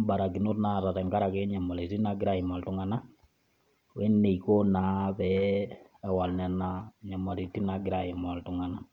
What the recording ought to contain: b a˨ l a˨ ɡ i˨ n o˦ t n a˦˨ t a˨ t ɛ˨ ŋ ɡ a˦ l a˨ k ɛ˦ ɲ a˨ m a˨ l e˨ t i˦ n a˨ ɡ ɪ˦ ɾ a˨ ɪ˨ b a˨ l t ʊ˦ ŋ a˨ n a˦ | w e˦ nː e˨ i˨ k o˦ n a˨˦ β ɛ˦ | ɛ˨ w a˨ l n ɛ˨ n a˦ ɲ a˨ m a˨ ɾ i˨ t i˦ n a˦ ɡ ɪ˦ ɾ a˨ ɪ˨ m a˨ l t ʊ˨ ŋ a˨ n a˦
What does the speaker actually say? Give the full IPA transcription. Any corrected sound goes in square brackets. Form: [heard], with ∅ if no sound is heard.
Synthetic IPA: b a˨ [ɾ] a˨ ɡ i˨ n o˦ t n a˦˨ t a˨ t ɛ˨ ŋ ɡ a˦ [ɾ] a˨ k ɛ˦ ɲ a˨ m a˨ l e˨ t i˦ n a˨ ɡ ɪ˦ ɾ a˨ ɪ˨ [m] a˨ l t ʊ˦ ŋ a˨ n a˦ | w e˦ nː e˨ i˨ k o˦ n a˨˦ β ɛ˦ | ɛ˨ w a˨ l n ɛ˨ n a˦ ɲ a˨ m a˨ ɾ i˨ t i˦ n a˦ ɡ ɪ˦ ɾ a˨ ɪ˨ m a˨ l t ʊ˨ ŋ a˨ n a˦